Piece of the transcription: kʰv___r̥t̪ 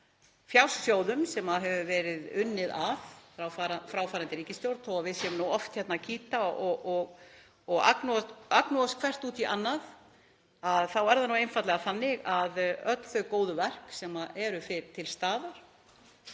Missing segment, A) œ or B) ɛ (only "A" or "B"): B